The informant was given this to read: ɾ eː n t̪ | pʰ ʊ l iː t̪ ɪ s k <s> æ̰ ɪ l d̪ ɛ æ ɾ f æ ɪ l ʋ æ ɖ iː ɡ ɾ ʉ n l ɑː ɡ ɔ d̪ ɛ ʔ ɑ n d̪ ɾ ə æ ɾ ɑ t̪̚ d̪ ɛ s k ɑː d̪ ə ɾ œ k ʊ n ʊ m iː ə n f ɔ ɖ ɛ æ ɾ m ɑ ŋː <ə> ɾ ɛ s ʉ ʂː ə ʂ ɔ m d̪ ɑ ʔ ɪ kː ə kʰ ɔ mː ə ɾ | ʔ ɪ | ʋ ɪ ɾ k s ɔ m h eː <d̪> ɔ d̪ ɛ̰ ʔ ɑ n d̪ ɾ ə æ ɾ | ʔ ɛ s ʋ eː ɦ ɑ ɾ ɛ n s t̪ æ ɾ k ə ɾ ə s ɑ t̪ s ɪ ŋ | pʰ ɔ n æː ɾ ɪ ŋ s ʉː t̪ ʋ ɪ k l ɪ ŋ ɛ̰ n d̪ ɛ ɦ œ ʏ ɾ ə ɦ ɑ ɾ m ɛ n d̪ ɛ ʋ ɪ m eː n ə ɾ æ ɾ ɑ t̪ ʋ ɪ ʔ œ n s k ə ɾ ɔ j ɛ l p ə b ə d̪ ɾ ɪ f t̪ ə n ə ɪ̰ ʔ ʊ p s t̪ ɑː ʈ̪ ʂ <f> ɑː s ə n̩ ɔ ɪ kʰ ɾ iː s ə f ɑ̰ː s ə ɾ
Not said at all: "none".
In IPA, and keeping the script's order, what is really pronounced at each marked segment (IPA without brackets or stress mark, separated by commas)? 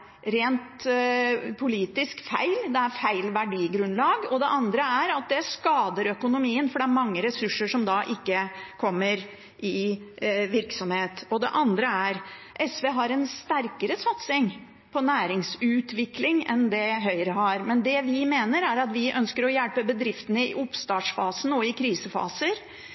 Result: f, ə, t̪, f